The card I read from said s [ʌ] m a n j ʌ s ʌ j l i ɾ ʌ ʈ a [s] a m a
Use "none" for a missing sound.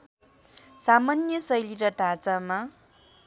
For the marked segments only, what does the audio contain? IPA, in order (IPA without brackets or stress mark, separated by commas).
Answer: a, t͡s